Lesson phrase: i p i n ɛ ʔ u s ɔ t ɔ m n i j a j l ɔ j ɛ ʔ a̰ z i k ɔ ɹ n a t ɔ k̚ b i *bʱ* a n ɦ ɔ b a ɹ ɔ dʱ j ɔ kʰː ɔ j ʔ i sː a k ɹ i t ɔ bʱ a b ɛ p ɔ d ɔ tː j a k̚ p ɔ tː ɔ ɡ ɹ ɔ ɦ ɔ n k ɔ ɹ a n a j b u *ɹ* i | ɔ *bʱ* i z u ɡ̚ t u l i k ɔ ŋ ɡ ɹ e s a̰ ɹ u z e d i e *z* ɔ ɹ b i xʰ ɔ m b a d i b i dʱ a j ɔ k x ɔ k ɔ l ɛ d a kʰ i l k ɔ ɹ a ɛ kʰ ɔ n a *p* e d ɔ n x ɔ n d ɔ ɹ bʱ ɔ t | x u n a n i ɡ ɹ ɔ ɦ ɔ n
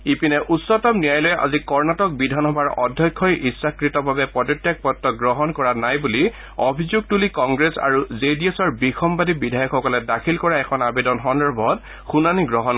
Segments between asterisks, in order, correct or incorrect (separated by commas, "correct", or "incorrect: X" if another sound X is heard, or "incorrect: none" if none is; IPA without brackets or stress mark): incorrect: dʱ, incorrect: l, correct, incorrect: s, incorrect: b